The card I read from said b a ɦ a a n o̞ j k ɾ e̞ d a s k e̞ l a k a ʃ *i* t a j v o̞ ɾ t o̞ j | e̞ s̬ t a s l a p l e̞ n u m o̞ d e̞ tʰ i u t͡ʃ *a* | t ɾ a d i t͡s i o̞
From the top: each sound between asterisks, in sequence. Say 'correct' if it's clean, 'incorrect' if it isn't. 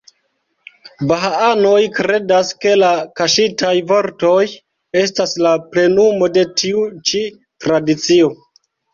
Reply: correct, incorrect: i

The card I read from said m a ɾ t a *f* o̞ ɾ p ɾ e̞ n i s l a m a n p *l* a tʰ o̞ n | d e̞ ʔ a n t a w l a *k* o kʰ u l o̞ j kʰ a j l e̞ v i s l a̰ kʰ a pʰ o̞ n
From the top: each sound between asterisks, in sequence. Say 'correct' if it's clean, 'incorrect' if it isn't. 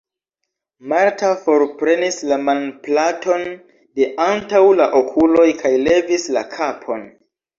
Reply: correct, correct, incorrect: ʔ

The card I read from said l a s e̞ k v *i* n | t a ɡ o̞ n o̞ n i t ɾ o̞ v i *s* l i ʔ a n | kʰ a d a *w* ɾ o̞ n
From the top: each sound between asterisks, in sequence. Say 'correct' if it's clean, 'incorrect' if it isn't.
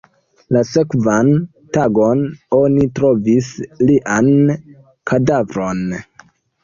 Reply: incorrect: a, correct, incorrect: v

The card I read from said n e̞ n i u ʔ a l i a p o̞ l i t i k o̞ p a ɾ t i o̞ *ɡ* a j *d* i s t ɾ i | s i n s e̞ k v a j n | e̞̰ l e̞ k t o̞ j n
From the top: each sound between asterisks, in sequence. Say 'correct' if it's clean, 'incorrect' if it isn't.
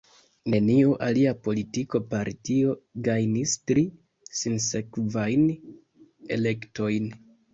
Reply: correct, incorrect: n

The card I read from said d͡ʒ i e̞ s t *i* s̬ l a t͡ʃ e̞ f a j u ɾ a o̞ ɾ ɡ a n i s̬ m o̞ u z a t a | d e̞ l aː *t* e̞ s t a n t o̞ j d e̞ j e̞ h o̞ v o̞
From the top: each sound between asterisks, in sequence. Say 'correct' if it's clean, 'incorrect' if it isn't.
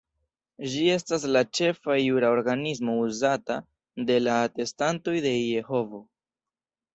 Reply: incorrect: a, correct

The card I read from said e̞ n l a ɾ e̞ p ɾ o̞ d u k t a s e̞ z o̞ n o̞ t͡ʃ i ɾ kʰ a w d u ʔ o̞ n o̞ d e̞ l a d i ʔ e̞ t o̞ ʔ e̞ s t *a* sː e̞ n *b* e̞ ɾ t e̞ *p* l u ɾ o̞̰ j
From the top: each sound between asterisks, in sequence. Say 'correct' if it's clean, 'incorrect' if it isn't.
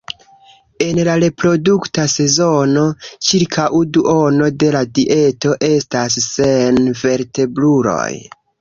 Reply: correct, incorrect: v, incorrect: b

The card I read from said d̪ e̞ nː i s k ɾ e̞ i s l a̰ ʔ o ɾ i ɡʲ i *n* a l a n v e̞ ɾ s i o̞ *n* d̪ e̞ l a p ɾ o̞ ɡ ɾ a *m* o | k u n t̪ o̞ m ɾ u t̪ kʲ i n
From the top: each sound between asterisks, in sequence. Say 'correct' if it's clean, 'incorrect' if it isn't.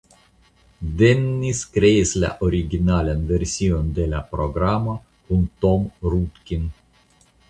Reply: correct, correct, correct

